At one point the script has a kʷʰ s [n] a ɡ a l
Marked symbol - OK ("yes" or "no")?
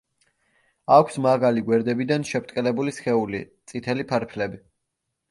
no